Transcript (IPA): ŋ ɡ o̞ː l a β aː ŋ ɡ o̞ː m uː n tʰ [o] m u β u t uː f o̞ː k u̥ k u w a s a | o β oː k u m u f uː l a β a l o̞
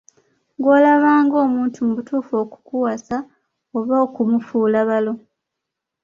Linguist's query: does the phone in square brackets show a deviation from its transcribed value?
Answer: yes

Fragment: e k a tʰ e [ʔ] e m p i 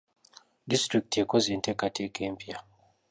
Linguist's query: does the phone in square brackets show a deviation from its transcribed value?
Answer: yes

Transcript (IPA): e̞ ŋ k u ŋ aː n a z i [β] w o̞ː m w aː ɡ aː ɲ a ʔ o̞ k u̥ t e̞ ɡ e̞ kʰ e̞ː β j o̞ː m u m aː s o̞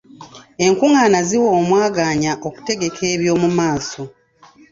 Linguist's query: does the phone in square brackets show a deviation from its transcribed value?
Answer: yes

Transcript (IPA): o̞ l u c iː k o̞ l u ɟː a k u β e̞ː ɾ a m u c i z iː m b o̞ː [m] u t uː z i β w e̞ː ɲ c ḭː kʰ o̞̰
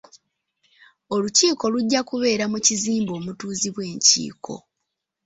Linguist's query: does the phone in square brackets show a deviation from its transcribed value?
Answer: no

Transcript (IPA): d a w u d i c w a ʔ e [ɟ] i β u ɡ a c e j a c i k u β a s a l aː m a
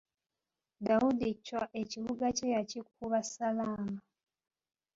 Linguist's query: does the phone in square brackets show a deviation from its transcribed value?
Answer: yes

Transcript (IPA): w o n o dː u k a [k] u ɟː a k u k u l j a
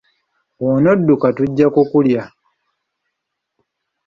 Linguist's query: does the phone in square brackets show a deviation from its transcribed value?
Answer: yes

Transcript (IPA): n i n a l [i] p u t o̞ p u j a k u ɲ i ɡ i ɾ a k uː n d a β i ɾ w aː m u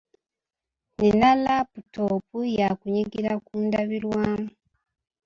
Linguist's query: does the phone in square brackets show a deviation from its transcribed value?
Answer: yes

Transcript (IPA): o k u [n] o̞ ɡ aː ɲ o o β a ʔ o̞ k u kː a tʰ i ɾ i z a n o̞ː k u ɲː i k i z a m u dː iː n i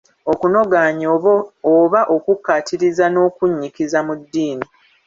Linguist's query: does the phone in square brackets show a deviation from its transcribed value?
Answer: no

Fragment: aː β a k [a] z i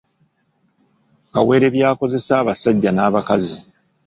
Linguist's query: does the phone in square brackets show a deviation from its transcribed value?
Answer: no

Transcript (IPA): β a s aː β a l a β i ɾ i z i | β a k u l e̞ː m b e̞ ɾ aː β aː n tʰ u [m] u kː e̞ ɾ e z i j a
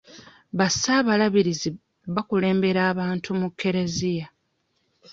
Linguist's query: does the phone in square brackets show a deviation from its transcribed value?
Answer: no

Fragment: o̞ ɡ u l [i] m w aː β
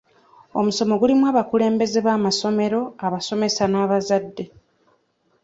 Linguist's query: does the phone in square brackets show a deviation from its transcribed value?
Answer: no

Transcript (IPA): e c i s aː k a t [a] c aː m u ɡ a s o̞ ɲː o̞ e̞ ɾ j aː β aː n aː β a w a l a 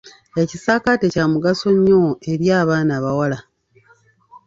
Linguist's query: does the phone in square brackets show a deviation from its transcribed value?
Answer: yes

